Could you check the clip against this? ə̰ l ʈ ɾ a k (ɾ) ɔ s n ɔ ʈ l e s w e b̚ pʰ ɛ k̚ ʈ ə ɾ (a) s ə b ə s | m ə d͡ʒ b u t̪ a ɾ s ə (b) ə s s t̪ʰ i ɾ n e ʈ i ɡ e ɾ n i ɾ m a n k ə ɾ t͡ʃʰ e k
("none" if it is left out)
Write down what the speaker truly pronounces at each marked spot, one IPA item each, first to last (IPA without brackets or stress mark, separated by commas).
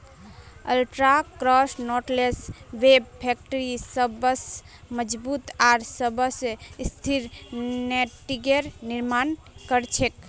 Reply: ɾ, i, b